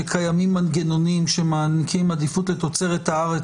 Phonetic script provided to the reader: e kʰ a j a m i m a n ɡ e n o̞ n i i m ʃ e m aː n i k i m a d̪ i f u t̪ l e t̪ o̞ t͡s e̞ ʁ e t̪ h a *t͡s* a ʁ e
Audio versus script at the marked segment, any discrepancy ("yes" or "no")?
yes